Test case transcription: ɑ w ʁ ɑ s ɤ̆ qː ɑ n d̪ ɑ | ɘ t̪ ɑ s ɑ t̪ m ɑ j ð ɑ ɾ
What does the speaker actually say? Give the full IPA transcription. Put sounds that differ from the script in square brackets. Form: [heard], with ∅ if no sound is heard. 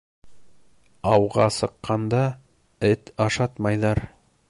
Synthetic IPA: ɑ w ʁ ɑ s ɤ̆ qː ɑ n d̪ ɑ | ɘ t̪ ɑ [ʃ] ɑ t̪ m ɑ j ð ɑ ɾ